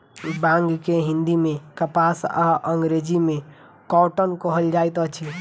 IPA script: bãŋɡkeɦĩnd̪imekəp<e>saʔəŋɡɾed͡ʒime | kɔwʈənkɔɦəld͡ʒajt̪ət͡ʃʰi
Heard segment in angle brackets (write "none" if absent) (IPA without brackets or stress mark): a